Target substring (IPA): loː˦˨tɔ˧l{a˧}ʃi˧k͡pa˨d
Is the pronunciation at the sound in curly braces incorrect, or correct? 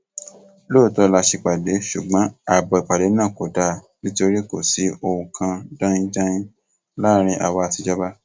correct